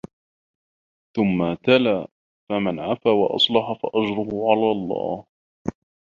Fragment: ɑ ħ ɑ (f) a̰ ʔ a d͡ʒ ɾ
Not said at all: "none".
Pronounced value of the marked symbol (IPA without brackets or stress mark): f